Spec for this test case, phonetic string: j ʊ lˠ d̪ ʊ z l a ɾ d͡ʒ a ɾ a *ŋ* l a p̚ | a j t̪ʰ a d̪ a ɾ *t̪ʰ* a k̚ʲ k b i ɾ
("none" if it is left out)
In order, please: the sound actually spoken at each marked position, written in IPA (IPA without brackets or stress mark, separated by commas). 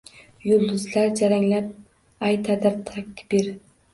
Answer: ŋ, t̪ʰ